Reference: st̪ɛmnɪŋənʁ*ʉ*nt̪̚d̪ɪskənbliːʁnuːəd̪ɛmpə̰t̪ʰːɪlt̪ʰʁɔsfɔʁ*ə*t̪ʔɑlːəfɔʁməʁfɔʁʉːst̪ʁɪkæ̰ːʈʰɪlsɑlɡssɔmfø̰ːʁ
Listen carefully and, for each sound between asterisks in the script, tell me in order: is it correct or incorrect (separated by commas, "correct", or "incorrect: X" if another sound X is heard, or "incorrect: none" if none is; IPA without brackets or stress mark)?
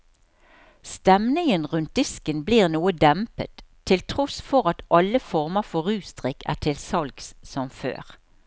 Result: correct, incorrect: ɑ